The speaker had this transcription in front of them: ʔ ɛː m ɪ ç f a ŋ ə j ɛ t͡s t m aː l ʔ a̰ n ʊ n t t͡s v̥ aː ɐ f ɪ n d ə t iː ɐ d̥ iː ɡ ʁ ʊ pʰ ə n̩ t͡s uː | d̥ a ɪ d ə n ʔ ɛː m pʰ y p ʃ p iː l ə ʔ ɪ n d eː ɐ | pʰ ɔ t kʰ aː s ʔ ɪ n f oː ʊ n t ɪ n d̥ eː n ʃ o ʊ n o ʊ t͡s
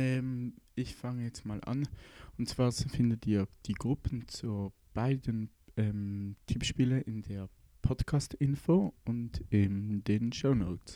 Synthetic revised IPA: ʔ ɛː m ɪ ç f a ŋ ə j ɛ t͡s t m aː l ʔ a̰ n ʊ n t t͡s v̥ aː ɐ f ɪ n d ə t iː ɐ d̥ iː ɡ ʁ ʊ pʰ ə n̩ t͡s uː | b̥ a ɪ d ə n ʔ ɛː m tʰ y p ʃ p iː l ə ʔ ɪ n d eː ɐ | pʰ ɔ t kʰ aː s t ɪ n f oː ʊ n t ɪ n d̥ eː n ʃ o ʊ n o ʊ t͡s